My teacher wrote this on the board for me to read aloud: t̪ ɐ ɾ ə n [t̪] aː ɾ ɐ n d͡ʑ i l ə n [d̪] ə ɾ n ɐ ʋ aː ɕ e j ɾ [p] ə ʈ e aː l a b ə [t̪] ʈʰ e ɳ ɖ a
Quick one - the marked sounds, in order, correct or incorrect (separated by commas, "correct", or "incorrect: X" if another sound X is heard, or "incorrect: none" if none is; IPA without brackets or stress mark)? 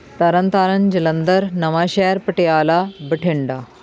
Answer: correct, correct, correct, incorrect: none